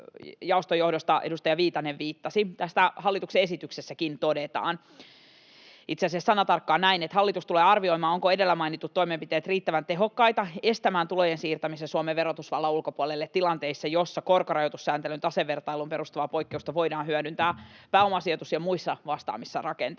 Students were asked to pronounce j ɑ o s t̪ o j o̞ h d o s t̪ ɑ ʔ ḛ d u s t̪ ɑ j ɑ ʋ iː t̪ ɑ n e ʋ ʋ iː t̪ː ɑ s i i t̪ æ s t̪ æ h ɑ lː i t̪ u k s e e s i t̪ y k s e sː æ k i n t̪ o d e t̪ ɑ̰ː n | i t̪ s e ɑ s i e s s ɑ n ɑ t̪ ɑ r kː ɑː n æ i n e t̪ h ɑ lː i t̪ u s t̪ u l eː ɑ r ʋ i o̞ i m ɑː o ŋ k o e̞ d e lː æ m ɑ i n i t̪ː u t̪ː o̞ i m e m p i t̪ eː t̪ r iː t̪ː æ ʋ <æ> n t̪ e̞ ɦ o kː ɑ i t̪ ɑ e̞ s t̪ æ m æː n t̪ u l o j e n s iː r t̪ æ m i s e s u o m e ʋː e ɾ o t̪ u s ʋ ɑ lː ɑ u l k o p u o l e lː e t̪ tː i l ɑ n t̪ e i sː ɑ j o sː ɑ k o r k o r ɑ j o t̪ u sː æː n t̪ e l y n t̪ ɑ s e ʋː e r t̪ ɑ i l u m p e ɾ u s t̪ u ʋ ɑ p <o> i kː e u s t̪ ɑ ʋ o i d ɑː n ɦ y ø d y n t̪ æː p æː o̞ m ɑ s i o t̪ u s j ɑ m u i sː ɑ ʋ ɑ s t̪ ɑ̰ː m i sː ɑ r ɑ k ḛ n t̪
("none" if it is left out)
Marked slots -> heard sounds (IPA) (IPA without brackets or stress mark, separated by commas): æ, o